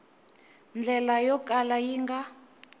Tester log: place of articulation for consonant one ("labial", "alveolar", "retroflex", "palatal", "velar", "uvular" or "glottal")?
alveolar